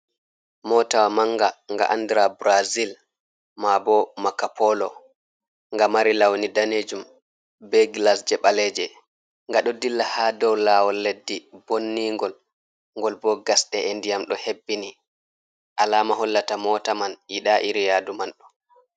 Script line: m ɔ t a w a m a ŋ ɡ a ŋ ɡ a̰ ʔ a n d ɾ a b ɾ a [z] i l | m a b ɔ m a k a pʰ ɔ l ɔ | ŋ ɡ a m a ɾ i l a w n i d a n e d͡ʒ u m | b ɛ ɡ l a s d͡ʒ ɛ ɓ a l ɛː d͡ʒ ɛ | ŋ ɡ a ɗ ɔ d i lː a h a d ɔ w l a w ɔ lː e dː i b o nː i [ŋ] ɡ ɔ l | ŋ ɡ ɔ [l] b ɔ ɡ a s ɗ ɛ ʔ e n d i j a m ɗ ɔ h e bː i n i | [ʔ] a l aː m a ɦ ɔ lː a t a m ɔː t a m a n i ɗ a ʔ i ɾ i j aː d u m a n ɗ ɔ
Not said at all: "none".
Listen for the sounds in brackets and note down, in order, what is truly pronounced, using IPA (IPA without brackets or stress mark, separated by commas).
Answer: z, ŋ, l, ʔ